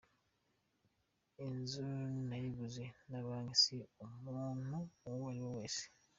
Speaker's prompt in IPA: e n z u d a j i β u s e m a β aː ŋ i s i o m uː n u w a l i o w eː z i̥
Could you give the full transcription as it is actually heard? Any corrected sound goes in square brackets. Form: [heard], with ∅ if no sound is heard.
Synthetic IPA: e n z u [n] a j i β u [z] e [n] a β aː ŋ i s i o m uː n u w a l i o w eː [s] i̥